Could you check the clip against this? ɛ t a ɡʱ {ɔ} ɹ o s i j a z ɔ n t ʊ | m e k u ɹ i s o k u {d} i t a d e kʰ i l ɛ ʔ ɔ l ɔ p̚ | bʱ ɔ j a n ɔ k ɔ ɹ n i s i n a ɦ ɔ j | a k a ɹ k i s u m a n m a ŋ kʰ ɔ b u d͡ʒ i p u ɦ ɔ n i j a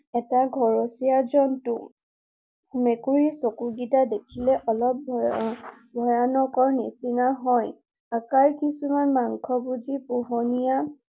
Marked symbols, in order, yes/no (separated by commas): yes, no